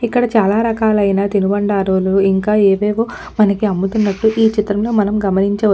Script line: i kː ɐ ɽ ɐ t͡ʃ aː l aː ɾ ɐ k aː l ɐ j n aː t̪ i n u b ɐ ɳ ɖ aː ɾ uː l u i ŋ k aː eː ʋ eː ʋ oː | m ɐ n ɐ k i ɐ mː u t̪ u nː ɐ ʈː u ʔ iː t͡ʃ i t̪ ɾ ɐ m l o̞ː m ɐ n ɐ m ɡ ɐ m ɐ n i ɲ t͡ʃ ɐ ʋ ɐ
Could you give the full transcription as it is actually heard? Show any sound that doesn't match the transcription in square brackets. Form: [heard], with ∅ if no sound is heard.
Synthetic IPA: i kː ɐ ɽ ɐ t͡ʃ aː l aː ɾ ɐ k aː l ɐ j n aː t̪ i n u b ɐ ɳ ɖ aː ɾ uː l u i ŋ k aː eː ʋ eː ʋ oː | m ɐ n ɐ k i ɐ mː u t̪ u nː ɐ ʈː u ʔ iː t͡ʃ i t̪ ɾ ɐ m l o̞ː m ɐ n ɐ m ɡ ɐ m ɐ n i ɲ t͡ʃ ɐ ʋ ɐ

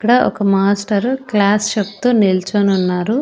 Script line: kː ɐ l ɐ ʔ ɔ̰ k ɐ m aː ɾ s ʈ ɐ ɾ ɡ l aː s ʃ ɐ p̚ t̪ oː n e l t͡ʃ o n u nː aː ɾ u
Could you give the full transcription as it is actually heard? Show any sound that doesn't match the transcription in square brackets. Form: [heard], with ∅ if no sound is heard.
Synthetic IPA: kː ɐ [ɽ] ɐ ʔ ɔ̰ k ɐ m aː [∅] s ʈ ɐ ɾ [k] l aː s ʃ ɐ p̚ t̪ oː n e l t͡ʃ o n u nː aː ɾ u

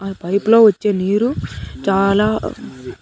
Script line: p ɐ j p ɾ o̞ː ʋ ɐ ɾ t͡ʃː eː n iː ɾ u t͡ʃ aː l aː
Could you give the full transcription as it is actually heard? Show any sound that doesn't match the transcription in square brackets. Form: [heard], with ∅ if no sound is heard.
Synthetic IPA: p ɐ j p [l] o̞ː ʋ ɐ [∅] t͡ʃː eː n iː ɾ u t͡ʃ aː l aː

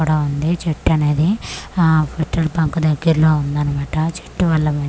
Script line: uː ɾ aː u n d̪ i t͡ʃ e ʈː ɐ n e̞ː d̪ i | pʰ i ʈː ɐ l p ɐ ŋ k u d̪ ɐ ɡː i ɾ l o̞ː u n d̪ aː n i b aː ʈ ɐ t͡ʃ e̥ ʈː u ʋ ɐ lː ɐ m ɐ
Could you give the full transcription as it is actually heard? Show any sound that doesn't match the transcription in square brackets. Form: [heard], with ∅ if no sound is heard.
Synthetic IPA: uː [ɽ] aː u n d̪ i t͡ʃ e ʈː ɐ n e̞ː d̪ i | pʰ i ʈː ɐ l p ɐ ŋ k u d̪ ɐ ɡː i ɾ l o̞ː u n d̪ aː n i [m] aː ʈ ɐ t͡ʃ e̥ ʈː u ʋ ɐ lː ɐ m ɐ

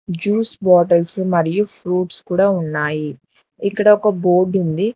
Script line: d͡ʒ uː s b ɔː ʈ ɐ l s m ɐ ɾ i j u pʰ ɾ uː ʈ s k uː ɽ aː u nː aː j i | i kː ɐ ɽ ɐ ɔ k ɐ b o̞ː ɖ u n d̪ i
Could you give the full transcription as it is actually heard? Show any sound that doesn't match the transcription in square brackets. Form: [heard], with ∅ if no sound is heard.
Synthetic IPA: d͡ʒ uː s b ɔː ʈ ɐ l s m ɐ ɾ i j u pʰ ɾ uː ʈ s k uː ɽ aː u nː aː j i | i kː ɐ ɽ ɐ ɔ k ɐ b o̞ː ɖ u n d̪ i

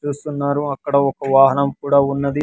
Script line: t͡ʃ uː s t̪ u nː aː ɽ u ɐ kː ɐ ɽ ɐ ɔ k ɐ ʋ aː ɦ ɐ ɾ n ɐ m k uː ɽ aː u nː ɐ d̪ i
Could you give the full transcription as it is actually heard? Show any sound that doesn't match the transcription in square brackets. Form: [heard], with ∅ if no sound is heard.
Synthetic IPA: t͡ʃ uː s t̪ u nː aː [ɾ] u ɐ kː ɐ ɽ ɐ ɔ k ɐ ʋ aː ɦ ɐ [∅] n ɐ m k uː ɽ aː u nː ɐ d̪ i

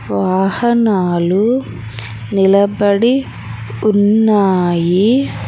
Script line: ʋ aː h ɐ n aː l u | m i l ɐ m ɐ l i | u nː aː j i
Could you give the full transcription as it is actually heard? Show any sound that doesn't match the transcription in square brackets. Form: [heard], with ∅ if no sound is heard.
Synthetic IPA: ʋ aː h ɐ n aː l u | [n] i l ɐ [b] ɐ [ɽ] i | u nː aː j i

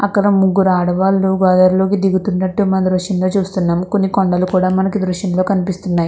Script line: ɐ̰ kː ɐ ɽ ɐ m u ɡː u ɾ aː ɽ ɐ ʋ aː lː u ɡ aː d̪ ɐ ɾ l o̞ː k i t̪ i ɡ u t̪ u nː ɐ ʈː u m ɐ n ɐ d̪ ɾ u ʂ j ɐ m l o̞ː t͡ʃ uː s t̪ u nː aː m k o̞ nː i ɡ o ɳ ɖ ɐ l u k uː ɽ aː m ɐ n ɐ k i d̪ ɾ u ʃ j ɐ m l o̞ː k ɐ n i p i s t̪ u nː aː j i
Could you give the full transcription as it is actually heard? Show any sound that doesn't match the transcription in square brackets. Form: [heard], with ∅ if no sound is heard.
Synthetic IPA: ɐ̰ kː ɐ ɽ ɐ m u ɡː u ɾ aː ɽ ɐ ʋ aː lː u ɡ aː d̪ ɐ ɾ l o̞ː k i [d̪] i ɡ u t̪ u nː ɐ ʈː u m ɐ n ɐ d̪ ɾ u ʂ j ɐ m l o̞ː t͡ʃ uː s t̪ u nː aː m k o̞ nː i [k] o ɳ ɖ ɐ l u k uː ɽ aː m ɐ n ɐ k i d̪ ɾ u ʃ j ɐ m l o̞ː k ɐ n i p i s t̪ u nː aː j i

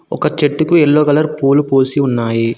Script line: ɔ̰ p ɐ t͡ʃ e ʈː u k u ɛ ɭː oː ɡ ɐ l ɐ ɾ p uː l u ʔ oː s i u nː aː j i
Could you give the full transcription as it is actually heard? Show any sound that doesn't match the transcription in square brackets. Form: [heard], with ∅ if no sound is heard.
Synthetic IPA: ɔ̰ [k] ɐ t͡ʃ e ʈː u k u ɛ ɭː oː ɡ ɐ l ɐ ɾ p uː l u [p] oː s i u nː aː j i

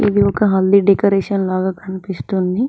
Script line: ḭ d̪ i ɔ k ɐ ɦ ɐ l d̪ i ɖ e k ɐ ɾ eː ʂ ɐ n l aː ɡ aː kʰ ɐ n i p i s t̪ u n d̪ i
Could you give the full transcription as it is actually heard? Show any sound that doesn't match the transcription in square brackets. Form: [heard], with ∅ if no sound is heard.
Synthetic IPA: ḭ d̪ i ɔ k ɐ ɦ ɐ l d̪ i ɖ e k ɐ ɾ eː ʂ ɐ n l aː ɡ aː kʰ ɐ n i p i s t̪ u n d̪ i

